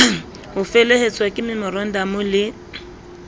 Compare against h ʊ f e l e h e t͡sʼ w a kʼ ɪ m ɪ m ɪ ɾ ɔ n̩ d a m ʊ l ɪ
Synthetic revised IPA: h ʊ f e l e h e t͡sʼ w a kʼ ɪ m ɪ m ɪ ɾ ɔ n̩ d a m ʊ l ɪ